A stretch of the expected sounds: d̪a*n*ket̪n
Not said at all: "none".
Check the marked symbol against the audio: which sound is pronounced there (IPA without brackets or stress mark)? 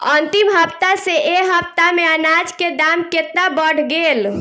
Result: m